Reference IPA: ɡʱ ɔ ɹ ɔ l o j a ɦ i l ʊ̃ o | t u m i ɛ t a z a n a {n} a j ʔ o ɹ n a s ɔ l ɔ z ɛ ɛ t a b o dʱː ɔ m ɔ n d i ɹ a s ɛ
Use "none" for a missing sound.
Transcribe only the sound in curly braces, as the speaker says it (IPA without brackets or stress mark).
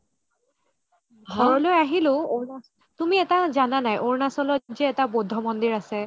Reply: n